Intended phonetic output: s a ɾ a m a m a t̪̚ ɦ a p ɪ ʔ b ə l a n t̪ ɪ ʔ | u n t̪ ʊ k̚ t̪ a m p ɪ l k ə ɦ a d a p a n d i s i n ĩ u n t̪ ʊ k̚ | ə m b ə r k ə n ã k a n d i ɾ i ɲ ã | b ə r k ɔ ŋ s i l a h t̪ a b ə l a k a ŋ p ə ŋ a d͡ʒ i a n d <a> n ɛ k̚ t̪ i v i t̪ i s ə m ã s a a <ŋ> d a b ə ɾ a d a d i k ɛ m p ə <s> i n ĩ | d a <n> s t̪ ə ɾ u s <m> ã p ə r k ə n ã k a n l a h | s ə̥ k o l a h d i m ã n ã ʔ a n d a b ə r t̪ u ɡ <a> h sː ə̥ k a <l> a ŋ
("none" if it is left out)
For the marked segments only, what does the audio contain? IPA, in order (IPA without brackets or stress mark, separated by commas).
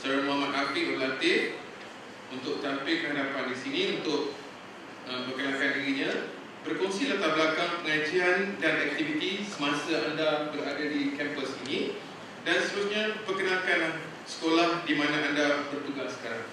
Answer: a, n, s, n, ɲ, a, ɾ